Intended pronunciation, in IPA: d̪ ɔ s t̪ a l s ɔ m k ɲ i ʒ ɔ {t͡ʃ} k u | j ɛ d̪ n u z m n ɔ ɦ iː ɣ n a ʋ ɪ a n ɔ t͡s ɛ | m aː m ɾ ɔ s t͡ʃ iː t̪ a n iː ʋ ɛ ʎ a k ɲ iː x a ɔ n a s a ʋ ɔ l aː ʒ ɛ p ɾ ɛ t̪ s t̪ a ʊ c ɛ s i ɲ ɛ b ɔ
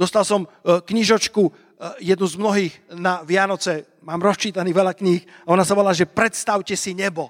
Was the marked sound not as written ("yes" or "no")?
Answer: no